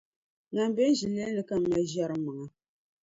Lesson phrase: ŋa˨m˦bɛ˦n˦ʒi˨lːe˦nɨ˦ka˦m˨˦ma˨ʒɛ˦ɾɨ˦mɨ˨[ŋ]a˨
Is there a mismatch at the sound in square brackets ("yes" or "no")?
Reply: no